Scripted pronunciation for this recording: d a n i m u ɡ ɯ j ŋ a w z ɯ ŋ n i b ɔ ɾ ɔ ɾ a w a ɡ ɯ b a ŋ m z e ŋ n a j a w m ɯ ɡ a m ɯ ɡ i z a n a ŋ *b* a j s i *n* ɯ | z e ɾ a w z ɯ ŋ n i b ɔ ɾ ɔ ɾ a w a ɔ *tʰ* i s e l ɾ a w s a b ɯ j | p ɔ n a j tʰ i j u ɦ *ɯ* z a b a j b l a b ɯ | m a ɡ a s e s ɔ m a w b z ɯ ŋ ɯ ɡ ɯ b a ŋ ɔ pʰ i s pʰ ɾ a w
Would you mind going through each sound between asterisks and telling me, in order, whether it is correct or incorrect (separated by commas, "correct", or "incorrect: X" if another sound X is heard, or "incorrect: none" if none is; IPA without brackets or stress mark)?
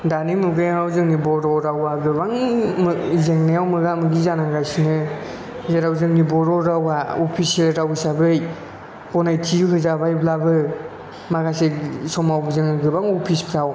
incorrect: ɡ, correct, incorrect: pʰ, correct